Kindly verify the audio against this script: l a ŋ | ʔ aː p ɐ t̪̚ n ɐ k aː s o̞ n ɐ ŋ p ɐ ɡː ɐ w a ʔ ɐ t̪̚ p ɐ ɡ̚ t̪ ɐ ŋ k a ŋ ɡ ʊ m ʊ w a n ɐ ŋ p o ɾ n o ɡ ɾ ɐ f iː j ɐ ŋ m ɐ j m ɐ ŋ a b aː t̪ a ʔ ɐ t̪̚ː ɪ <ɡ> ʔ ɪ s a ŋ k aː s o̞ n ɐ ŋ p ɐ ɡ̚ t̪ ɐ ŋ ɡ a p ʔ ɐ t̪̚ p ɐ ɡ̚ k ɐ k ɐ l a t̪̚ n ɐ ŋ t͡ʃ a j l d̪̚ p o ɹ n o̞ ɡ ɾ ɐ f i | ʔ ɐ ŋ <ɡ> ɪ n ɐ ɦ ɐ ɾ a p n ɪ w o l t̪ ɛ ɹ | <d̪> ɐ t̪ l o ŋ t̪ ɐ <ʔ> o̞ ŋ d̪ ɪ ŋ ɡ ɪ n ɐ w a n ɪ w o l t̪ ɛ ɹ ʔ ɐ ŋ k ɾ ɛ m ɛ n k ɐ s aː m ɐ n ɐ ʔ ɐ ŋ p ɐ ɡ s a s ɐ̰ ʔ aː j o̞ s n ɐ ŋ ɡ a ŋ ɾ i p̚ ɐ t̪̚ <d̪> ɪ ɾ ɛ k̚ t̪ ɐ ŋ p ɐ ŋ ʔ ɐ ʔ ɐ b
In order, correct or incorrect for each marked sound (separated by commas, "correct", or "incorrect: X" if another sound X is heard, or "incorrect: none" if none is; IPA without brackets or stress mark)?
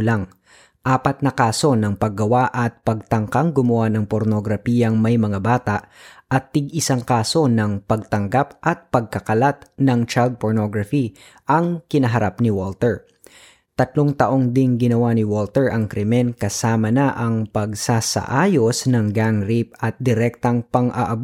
correct, incorrect: k, incorrect: t̪, correct, correct